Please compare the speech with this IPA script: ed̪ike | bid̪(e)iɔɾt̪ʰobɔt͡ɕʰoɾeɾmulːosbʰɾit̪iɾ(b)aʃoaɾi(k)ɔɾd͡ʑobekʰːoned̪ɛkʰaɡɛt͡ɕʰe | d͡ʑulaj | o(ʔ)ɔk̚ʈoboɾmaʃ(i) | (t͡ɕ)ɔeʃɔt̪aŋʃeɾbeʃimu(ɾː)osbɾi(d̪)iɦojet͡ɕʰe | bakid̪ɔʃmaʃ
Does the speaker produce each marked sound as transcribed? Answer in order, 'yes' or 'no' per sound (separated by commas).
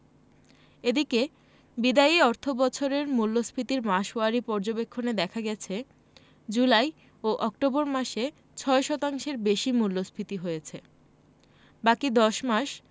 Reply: no, no, no, yes, no, no, no, no